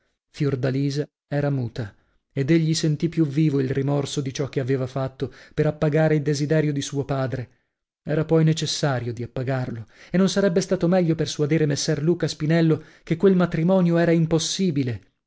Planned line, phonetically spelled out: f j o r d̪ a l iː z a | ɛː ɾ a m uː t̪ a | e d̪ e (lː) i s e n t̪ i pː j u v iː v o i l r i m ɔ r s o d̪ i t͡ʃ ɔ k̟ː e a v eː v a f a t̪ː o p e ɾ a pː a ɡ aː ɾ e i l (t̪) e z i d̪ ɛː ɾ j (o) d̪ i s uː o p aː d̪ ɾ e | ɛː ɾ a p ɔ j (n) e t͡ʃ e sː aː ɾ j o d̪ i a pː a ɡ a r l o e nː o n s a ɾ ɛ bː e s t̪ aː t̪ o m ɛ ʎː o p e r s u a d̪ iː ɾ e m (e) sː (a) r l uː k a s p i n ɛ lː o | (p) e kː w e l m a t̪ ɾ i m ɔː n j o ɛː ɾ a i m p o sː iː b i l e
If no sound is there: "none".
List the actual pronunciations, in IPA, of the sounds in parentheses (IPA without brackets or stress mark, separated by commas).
ʎː, d̪, o, n, e, ɛ, k